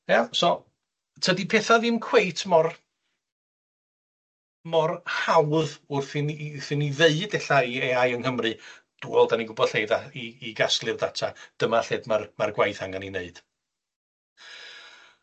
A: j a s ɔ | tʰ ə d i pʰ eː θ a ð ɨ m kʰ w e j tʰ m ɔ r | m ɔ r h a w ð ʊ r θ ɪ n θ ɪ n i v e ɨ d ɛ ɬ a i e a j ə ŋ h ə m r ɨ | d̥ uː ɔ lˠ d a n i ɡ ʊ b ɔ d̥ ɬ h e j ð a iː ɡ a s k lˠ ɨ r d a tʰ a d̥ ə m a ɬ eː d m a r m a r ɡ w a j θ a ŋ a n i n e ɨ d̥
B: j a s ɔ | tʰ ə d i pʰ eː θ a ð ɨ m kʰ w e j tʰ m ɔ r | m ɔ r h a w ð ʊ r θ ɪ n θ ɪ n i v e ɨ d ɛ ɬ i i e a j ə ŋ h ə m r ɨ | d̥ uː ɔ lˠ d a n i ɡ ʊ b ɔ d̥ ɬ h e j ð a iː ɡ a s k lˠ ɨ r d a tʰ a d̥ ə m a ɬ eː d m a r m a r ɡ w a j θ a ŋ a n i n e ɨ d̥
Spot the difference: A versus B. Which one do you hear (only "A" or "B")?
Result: A